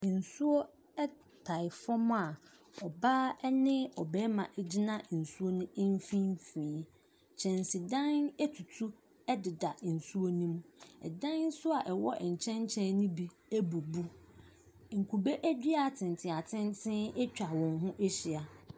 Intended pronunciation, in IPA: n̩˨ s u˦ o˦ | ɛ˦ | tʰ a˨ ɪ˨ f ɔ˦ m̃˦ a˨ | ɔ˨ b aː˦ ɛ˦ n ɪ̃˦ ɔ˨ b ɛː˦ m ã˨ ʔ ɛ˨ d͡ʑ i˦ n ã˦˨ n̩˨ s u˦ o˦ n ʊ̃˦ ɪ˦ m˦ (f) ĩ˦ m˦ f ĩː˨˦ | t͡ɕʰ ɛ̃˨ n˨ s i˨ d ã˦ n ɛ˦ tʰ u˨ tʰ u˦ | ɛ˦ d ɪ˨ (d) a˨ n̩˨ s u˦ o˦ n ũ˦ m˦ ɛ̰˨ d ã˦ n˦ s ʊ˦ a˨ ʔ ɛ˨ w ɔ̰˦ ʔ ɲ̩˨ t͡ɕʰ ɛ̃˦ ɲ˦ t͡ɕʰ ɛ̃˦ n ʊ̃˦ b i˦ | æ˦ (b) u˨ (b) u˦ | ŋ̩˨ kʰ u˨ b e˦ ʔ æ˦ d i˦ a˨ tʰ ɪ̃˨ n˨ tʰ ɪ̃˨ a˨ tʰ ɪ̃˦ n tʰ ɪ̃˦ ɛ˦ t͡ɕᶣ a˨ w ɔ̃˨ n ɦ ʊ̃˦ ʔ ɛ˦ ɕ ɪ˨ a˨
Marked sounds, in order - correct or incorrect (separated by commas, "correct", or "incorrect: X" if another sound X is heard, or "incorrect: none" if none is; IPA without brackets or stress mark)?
correct, correct, correct, correct